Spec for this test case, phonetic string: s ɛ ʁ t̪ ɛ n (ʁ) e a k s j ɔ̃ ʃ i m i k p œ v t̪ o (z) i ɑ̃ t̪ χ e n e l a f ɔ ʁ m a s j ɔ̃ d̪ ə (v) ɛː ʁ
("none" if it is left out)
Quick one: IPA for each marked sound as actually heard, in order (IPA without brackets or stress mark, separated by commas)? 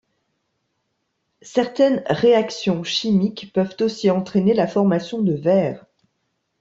ʁ, s, v